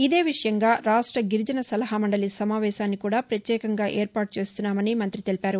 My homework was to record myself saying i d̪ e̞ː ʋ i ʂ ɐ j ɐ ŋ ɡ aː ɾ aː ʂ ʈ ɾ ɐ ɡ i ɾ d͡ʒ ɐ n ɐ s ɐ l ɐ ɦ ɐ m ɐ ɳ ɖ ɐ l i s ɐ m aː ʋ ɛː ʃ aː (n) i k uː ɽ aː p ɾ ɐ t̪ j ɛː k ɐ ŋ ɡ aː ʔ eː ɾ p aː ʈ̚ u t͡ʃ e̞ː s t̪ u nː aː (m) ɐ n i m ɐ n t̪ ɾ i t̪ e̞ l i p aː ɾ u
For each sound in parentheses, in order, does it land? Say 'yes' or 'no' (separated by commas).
no, yes